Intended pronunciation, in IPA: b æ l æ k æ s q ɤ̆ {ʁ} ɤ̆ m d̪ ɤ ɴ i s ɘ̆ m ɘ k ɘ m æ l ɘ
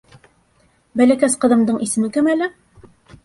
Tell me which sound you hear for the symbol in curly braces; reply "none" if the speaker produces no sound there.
ð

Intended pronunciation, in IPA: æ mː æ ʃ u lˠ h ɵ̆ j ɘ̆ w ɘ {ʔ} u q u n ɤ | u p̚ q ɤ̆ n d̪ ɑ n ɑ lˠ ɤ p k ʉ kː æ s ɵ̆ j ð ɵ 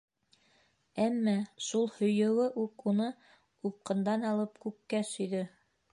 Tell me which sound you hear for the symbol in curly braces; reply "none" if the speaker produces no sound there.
ʔ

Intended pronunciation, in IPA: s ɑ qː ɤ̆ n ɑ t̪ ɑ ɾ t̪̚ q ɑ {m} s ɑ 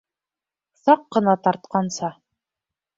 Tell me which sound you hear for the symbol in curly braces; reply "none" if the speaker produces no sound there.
n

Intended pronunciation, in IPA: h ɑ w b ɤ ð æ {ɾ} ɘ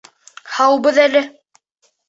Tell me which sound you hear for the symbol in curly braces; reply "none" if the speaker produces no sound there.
l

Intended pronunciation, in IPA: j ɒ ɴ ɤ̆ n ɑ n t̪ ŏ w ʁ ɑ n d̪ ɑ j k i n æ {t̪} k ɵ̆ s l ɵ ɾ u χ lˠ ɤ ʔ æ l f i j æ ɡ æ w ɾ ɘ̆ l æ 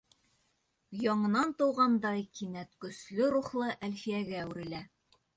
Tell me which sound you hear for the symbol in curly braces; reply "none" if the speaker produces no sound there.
t̪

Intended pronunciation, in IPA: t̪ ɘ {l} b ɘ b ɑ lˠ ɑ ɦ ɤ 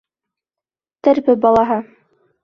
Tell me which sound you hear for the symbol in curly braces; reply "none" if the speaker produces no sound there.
ɾ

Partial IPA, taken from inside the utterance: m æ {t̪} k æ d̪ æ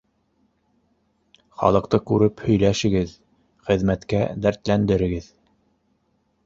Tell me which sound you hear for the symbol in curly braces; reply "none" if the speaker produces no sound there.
t̪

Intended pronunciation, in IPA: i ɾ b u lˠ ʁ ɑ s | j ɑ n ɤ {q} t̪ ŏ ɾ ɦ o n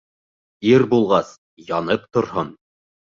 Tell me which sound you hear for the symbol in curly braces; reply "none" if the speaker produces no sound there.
p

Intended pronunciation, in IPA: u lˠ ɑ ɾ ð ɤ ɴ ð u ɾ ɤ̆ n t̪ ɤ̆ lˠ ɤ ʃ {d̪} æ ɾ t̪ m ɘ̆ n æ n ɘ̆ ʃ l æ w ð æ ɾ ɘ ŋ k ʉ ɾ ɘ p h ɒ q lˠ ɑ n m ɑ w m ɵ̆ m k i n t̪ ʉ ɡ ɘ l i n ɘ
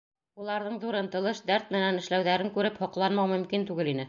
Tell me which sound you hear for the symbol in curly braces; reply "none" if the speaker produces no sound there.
d̪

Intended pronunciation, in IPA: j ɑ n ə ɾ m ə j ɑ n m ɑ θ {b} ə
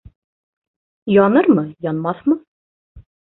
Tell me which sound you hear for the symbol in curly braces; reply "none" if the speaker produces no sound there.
m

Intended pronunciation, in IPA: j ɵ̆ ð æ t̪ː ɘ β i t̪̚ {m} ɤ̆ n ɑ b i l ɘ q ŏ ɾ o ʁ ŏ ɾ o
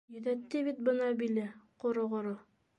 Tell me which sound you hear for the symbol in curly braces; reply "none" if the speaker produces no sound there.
b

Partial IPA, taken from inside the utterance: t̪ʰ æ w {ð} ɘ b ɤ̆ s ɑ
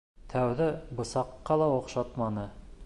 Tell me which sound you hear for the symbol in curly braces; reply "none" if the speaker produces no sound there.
ð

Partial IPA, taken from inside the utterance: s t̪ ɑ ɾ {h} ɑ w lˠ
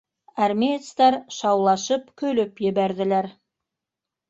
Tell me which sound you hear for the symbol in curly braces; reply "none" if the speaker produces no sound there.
ʃ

